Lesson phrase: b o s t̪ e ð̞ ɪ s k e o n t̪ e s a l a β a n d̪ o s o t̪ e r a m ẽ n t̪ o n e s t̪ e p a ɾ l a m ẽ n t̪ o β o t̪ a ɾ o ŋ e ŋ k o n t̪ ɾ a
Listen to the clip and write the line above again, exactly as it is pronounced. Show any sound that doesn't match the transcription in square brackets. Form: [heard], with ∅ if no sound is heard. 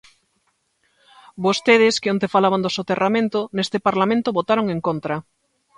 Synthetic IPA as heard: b o s t̪ e ð̞ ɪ s k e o n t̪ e [f] a l a β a n d̪ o s o t̪ e r a m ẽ n t̪ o n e s t̪ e p a ɾ l a m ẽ n t̪ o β o t̪ a ɾ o ŋ e ŋ k o n t̪ ɾ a